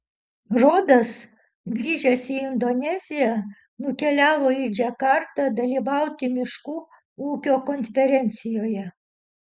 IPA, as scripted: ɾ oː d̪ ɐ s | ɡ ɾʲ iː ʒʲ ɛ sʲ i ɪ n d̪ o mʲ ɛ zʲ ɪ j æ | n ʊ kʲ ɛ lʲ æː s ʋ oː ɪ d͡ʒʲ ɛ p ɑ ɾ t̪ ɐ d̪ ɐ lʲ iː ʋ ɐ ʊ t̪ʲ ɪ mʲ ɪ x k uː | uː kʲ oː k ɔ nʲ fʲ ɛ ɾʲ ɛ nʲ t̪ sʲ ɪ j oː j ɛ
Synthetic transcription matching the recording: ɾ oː d̪ ɐ s | ɡ ɾʲ iː ʒʲ ɛ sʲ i ɪ n d̪ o nʲ ɛ zʲ ɪ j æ | n ʊ kʲ ɛ lʲ æː ʋ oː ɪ d͡ʒʲ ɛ k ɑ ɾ t̪ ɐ d̪ ɐ lʲ iː ʋ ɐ ʊ t̪ʲ ɪ mʲ ɪ ʃ k uː | uː kʲ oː k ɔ nʲ fʲ ɛ ɾʲ ɛ nʲ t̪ sʲ ɪ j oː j ɛ